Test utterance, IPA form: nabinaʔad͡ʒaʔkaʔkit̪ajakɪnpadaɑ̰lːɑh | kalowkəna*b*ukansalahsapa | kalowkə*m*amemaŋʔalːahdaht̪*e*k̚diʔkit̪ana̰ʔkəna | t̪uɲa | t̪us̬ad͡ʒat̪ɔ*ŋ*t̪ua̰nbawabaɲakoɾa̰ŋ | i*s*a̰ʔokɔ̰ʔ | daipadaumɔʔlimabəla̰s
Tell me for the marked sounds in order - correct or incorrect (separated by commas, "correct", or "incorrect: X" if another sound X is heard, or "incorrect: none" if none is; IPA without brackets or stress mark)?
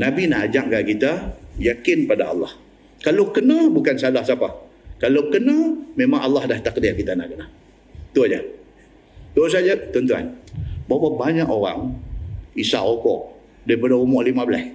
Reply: correct, incorrect: n, incorrect: a, incorrect: n, correct